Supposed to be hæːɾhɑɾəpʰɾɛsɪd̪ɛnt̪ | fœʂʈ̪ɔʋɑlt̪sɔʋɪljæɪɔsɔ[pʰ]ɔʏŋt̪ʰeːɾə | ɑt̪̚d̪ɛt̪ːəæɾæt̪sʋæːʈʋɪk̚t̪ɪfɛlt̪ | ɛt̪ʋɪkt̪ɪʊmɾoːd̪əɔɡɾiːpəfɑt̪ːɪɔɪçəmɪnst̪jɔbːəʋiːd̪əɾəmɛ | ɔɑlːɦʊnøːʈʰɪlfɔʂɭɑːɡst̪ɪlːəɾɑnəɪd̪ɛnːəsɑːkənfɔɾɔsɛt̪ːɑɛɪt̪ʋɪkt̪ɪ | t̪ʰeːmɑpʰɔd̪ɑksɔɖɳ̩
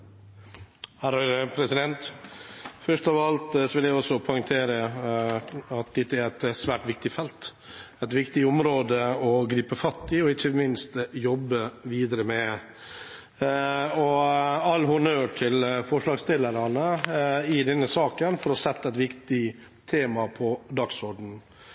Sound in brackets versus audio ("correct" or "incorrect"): correct